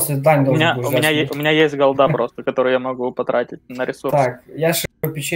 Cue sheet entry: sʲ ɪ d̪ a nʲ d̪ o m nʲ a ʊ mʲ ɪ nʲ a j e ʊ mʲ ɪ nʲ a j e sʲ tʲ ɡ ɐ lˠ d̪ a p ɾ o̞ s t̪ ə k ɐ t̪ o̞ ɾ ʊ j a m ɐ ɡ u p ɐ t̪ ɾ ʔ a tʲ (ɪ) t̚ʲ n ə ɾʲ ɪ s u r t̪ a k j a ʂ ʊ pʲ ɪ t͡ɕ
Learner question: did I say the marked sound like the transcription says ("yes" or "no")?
yes